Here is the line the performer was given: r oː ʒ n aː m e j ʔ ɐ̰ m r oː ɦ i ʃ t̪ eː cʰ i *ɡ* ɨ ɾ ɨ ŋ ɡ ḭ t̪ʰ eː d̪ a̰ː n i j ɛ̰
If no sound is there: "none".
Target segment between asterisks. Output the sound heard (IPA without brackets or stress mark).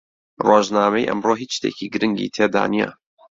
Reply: ɡ